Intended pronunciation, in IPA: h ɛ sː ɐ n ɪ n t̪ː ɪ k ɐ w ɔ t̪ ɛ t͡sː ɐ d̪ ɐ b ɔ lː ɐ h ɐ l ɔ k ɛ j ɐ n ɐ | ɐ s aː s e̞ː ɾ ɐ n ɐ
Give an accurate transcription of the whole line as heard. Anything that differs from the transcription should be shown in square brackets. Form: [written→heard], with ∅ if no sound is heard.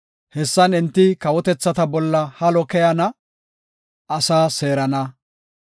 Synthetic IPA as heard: h ɛ sː ɐ n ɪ n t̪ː ɪ k ɐ w ɔ t̪ ɛ t͡sː ɐ [d̪→t̪] ɐ b ɔ lː ɐ h ɐ l ɔ k ɛ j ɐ n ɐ | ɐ s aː s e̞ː ɾ ɐ n ɐ